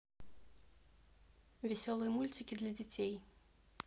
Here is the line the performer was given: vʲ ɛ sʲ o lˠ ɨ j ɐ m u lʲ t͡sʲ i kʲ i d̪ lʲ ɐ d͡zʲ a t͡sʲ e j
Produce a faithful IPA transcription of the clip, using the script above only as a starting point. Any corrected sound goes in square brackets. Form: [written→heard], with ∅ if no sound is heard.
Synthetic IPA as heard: vʲ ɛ sʲ [o→ɔ] lˠ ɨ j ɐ m u lʲ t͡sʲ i kʲ i d̪ lʲ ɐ d͡zʲ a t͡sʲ e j